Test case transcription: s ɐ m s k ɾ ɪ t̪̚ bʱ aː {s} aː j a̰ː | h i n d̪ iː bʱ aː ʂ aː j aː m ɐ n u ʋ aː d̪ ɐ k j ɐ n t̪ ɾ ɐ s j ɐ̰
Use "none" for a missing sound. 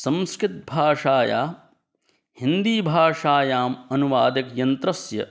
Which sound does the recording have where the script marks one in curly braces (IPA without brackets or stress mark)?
ʂ